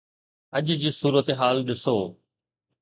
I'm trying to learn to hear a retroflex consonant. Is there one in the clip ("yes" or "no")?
no